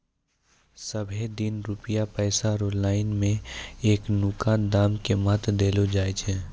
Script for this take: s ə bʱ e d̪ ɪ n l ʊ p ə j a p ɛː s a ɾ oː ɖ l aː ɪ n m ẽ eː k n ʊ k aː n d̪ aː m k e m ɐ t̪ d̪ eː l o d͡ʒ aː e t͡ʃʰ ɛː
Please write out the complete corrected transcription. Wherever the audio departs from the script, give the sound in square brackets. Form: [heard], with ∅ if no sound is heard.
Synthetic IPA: s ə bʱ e d̪ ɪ n [ɾ] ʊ p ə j a p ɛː s a ɾ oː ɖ l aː ɪ n m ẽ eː k n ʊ k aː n d̪ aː m k e m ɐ t̪ d̪ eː l o d͡ʒ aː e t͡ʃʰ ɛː